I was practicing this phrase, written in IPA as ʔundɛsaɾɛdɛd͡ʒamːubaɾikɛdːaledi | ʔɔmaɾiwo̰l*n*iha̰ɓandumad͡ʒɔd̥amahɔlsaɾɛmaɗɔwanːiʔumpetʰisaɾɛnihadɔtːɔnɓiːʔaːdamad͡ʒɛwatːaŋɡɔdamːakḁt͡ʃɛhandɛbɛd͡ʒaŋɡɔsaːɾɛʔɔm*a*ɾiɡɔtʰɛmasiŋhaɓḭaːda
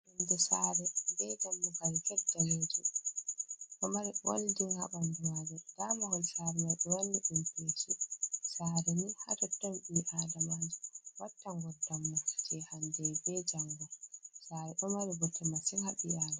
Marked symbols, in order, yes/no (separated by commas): no, yes